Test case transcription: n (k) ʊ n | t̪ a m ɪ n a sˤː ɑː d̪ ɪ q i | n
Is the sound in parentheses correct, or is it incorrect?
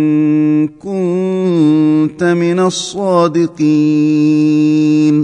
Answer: correct